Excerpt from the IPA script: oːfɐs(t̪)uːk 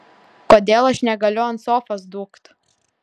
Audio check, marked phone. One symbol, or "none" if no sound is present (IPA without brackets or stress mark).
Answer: d̪